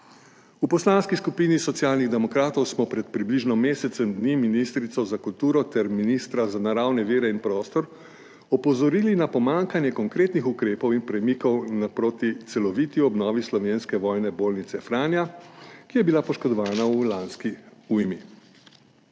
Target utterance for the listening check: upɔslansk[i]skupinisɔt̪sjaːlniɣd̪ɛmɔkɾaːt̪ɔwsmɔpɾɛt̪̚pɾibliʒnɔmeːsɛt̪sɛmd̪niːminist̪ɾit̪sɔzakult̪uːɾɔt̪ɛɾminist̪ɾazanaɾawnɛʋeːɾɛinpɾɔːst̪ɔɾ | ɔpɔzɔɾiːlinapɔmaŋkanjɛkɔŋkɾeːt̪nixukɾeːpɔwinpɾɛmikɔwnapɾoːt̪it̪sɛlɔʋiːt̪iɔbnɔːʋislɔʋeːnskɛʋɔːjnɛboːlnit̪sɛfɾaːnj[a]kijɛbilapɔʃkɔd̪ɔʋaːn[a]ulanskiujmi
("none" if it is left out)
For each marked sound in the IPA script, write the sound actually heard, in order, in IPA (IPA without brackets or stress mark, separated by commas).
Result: i, a, a